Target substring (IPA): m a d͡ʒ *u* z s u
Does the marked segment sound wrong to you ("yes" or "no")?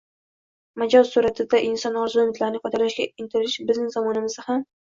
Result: yes